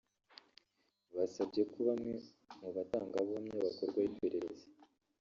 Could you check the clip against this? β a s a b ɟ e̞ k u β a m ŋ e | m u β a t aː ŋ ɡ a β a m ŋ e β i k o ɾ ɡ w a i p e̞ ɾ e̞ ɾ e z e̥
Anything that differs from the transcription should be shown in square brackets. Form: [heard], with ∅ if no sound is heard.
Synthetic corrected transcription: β a s a b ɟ e̞ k u β a m ŋ e | m u β a t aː ŋ ɡ a β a m [ɲ] e β [a] k o ɾ ɡ w a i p e̞ ɾ e̞ ɾ e z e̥